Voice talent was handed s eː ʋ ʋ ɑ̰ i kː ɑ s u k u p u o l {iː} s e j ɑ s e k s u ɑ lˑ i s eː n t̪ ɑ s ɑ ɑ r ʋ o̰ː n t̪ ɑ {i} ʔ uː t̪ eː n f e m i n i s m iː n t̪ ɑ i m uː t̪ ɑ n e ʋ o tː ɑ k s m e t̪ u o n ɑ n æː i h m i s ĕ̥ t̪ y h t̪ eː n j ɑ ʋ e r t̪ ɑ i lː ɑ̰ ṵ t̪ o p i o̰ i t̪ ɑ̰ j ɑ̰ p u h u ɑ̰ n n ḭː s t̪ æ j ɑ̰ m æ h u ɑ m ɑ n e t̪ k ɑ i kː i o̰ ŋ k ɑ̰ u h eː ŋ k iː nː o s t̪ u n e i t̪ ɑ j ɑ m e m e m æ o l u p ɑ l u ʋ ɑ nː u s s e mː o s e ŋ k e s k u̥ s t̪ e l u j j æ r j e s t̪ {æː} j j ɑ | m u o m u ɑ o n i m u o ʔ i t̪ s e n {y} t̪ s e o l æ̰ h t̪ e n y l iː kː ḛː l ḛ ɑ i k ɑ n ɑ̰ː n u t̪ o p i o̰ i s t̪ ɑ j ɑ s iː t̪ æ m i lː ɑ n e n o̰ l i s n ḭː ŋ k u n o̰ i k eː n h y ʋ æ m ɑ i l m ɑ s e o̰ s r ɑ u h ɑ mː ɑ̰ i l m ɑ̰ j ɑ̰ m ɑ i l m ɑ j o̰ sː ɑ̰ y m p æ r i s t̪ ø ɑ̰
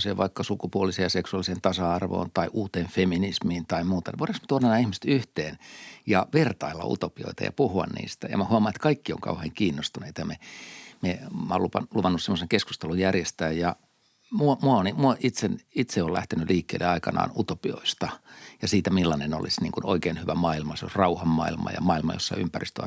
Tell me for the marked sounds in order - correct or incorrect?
incorrect: i, correct, correct, incorrect: i

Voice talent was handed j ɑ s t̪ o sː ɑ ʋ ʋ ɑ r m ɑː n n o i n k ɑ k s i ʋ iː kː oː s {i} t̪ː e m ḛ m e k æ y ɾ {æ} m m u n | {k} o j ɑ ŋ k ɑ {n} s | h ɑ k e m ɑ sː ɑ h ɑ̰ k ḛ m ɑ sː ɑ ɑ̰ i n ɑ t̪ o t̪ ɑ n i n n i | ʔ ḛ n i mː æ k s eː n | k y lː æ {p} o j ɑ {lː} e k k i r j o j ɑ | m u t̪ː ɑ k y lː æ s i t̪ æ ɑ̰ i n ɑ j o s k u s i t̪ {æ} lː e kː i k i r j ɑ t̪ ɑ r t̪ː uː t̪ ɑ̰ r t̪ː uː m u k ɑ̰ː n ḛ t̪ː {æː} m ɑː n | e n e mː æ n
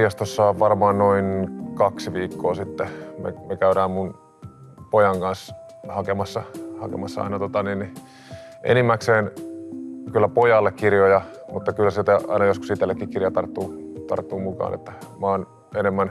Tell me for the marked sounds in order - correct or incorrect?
correct, incorrect: æː, incorrect: p, correct, correct, correct, incorrect: e, incorrect: æ

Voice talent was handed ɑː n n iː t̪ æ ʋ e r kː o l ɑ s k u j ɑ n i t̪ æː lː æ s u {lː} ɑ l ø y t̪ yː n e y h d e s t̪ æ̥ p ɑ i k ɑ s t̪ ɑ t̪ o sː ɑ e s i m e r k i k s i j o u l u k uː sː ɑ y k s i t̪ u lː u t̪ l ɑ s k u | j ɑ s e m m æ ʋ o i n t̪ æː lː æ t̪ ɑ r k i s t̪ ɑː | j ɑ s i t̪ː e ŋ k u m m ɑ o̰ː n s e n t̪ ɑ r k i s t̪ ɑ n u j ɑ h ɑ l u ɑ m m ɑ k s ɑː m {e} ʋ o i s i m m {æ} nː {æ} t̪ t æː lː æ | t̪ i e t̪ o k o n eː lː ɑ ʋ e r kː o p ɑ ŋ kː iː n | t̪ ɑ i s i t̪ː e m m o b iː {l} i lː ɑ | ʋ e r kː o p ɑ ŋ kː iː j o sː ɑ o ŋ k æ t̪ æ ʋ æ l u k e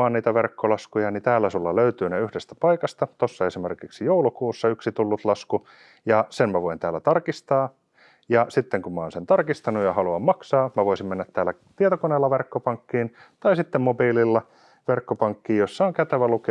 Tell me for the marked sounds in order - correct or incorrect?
correct, incorrect: æ, incorrect: e, correct, correct

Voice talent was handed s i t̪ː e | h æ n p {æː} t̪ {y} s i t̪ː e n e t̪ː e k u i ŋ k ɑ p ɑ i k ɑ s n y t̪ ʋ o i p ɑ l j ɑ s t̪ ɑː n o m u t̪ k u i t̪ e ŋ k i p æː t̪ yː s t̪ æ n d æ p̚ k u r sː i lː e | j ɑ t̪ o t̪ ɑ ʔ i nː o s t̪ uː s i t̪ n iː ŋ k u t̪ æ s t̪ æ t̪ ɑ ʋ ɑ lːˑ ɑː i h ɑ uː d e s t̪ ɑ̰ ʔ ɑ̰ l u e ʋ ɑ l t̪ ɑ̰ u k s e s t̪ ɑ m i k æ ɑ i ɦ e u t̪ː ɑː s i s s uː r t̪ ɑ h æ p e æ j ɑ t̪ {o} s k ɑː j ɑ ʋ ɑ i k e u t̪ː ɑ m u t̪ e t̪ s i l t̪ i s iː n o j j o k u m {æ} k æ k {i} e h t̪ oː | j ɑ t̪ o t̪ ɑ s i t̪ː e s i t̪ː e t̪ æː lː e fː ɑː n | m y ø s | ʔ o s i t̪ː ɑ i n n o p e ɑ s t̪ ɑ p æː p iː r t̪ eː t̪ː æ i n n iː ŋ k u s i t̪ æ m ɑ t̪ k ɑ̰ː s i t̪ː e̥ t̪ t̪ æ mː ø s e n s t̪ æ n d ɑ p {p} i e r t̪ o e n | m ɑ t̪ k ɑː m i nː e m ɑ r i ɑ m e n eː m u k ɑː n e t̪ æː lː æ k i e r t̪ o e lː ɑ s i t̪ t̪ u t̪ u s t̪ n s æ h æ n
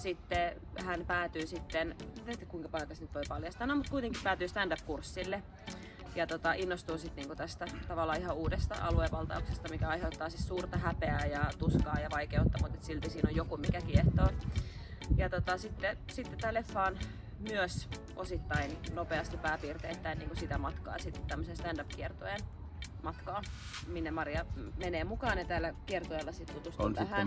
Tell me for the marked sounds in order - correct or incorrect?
correct, incorrect: yː, incorrect: u, incorrect: i, correct, incorrect: k

